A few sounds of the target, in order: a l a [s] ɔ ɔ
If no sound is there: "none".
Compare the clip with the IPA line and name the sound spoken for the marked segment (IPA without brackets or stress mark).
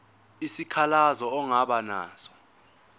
z